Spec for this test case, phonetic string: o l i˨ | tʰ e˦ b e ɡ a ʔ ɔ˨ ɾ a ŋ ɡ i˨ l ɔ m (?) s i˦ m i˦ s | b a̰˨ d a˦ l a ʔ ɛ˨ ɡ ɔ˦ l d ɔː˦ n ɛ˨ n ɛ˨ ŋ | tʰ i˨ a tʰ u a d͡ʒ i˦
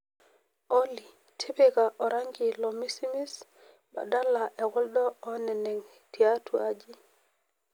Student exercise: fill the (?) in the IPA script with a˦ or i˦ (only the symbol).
i˦